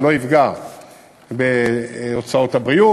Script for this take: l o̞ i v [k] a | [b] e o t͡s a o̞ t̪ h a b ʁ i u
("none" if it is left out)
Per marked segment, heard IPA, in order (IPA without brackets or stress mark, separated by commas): ɡ, b